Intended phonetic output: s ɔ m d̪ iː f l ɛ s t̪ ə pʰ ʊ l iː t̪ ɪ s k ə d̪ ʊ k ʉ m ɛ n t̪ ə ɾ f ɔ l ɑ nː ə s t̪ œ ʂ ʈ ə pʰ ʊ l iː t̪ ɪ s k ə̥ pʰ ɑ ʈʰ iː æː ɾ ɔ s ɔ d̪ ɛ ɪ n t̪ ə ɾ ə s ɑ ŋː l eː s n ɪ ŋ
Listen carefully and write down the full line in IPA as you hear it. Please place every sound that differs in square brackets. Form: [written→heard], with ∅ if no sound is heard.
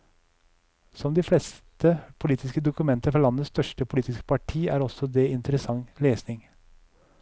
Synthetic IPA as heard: s ɔ m d̪ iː f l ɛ s t̪ ə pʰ ʊ l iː t̪ ɪ s k ə d̪ ʊ k ʉ m ɛ n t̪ ə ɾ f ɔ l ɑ nː ə s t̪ œ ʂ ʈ ə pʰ ʊ l iː t̪ ɪ s k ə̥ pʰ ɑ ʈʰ iː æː ɾ ɔ s ɔ d̪ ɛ ɪ n t̪ ə ɾ ə s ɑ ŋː l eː s n ɪ ŋ

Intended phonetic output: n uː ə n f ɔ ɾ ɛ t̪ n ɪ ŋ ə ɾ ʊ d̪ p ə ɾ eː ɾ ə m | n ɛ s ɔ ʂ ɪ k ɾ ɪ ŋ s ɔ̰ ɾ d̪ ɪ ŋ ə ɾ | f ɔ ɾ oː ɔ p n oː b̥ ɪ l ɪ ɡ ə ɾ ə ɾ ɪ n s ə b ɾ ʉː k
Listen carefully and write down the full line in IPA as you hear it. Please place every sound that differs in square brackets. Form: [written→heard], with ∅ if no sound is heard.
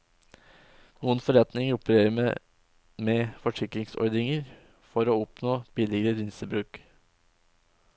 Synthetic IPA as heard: n uː ə n f ɔ ɾ ɛ t̪ n ɪ ŋ ə ɾ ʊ [d̪→∅] p ə ɾ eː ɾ ə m | [n→m] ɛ [s→f] ɔ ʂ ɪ k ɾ ɪ ŋ s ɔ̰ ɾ d̪ ɪ ŋ ə ɾ | f ɔ ɾ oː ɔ p n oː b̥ ɪ l ɪ ɡ ə ɾ ə ɾ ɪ n s ə b ɾ ʉː k

